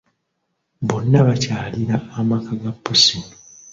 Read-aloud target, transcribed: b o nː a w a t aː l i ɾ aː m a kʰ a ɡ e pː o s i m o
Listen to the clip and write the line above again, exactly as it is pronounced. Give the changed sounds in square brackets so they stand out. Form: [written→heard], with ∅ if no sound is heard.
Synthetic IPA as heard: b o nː a [w→β] a [t→c] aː l i ɾ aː m a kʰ a ɡ [e→a] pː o s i [m→n] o